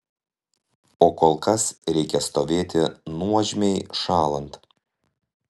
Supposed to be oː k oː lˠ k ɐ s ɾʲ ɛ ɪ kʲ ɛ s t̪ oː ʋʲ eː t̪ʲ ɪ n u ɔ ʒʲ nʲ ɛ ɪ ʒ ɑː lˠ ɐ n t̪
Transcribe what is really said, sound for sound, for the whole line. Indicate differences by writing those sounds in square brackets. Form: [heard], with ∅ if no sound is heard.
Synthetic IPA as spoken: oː k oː lˠ k ɐ s ɾʲ ɛ ɪ kʲ ɛ s t̪ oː ʋʲ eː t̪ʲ ɪ n u ɔ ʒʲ [mʲ] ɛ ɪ [ʃ] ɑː lˠ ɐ n t̪